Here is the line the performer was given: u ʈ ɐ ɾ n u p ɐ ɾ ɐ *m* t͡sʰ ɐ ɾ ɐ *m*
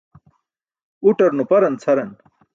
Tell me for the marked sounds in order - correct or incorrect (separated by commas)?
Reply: incorrect, incorrect